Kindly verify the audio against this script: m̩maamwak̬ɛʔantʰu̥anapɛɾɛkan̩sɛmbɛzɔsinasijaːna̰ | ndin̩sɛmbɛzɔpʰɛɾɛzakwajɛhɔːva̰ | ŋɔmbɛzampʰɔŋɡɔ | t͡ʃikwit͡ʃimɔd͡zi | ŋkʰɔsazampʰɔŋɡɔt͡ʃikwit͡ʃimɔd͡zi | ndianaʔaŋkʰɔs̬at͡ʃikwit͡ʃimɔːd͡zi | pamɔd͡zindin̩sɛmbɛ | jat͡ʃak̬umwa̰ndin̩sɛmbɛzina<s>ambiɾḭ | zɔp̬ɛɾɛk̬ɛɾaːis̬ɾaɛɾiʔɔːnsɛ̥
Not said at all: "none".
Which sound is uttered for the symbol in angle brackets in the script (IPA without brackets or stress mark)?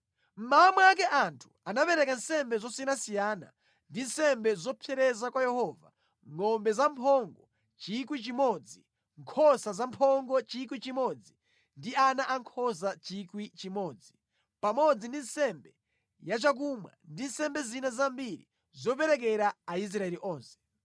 z